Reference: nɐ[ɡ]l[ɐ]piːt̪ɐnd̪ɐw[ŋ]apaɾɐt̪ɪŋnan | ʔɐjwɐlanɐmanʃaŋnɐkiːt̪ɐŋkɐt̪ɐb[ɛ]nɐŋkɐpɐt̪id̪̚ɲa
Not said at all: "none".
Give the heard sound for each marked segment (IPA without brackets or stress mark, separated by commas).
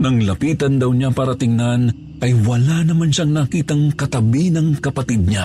ŋ, ɐ, ɲ, i